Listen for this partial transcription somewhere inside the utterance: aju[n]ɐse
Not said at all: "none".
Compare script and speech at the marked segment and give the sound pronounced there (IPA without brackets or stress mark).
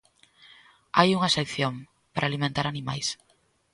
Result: ŋ